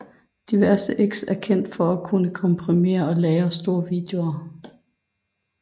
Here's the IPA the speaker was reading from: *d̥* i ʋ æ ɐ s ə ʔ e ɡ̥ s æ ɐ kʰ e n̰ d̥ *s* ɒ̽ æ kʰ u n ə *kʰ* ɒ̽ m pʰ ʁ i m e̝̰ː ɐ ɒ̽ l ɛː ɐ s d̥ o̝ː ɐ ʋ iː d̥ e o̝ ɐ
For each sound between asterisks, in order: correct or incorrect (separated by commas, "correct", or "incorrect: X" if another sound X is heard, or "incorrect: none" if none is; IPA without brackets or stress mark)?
correct, incorrect: f, correct